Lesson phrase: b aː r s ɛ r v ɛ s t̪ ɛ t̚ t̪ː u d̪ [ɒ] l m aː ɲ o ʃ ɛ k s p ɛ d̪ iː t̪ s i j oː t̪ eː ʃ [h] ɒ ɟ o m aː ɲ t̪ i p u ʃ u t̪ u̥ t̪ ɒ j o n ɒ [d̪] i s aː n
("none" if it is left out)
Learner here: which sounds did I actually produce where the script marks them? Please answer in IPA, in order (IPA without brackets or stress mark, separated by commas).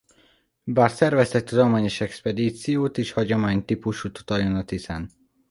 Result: o, h, t̪